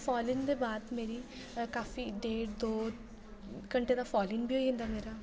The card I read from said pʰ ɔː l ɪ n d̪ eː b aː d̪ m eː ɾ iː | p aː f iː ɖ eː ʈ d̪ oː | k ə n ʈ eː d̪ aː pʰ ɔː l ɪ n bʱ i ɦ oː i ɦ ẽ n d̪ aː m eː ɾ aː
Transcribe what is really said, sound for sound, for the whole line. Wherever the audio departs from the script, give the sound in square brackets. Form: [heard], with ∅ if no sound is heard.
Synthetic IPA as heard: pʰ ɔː l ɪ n d̪ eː b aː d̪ m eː ɾ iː | [k] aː f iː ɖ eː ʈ d̪ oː | k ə [ɳ] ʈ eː d̪ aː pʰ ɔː l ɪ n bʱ i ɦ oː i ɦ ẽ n d̪ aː m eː ɾ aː